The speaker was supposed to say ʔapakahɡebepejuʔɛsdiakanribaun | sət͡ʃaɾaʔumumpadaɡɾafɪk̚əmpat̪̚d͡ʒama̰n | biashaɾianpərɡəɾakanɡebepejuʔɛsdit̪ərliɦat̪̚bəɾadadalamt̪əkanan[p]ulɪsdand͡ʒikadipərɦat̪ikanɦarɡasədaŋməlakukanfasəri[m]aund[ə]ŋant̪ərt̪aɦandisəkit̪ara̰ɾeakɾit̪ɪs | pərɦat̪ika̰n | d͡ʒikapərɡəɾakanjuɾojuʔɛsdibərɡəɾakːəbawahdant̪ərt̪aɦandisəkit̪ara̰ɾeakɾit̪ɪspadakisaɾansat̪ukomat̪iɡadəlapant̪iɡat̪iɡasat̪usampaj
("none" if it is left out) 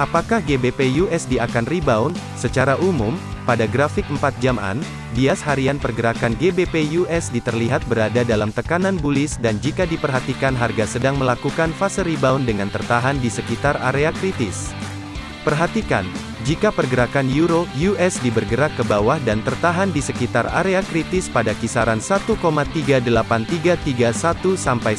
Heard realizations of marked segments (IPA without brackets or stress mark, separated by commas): b, b, ə